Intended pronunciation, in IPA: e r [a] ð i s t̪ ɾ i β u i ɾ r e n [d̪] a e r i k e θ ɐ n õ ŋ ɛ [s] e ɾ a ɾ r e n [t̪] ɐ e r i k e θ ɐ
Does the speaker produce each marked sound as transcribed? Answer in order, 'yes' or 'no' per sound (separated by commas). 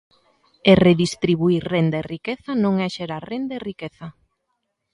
no, yes, no, no